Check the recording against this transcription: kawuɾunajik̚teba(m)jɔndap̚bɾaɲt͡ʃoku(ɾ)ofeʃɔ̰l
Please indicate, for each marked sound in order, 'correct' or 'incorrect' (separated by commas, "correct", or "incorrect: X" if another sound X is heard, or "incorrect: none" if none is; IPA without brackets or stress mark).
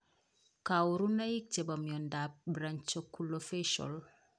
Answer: correct, incorrect: l